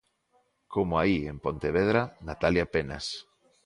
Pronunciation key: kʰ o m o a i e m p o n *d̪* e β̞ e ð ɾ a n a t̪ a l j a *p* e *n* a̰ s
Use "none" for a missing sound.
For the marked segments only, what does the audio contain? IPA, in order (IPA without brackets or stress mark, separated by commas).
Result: t̪, p, n